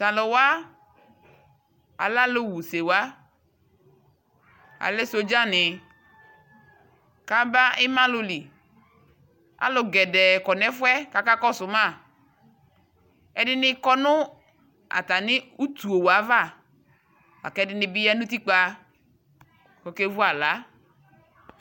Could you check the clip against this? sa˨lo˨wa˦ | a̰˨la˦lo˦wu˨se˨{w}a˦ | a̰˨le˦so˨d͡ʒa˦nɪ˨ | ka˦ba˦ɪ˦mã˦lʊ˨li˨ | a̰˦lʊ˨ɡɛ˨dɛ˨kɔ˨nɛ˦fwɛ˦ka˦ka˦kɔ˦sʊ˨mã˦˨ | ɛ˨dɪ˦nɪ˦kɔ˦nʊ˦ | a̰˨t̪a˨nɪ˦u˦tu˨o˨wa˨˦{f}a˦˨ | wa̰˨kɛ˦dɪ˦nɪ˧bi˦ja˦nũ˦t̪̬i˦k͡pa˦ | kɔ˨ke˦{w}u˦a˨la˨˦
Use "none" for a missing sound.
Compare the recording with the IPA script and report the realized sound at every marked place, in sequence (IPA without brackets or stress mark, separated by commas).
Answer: w, v, v